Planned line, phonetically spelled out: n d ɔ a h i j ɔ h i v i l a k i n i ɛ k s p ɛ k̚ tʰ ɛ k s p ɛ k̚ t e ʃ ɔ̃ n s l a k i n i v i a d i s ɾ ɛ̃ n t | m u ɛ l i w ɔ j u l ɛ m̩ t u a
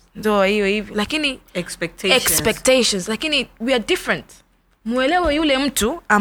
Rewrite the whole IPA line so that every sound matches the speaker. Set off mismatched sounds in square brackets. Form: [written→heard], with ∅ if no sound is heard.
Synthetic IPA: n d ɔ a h i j ɔ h i v i l a k i n i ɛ k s p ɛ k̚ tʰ ɛ k s p ɛ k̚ t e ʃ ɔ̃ n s l a k i n i [v→w] i a d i [s→f] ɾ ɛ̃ n t | m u ɛ l [i→ɛ] w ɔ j u l ɛ m̩ t u a